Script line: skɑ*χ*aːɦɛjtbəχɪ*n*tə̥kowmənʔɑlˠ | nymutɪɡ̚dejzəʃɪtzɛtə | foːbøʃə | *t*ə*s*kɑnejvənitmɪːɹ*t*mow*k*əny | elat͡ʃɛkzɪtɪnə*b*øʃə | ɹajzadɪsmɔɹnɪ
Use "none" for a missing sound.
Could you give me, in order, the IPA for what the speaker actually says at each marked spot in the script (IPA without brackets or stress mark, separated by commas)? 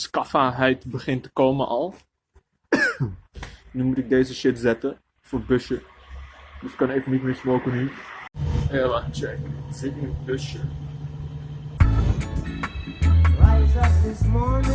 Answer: f, n, d, s, s, k, b